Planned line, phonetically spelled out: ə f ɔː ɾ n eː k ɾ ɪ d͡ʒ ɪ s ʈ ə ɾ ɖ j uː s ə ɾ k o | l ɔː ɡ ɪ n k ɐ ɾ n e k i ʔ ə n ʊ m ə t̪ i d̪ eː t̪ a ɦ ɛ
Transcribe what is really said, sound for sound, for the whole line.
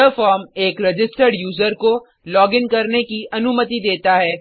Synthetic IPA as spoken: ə f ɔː ɾ m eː k ɾ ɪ d͡ʒ ɪ s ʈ ə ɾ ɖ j uː z ə ɾ k o | l ɔː ɡ ɪ n k ɐ ɾ n e k i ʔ ɐ n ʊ m ə t̪ i d̪ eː t̪ a ɦ ɛː